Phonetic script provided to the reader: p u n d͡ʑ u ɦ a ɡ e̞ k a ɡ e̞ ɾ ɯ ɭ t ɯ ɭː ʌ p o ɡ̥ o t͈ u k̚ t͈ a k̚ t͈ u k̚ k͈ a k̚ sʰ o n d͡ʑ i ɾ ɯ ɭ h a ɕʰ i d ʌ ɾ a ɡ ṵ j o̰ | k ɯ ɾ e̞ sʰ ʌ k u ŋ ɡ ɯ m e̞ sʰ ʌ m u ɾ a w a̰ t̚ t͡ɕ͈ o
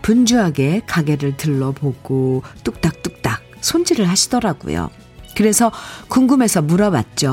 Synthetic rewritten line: p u n d͡ʑ u ɦ a ɡ e̞ k a ɡ e̞ ɾ ɯ ɭ t ɯ ɭː ʌ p o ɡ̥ o t͈ u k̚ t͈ a k̚ t͈ u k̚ t͈ a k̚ sʰ o n d͡ʑ i ɾ ɯ ɭ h a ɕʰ i d ʌ ɾ a ɡ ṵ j o̰ | k ɯ ɾ e̞ sʰ ʌ k u ŋ ɡ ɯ m e̞ sʰ ʌ m u ɾ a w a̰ t̚ t͡ɕ͈ o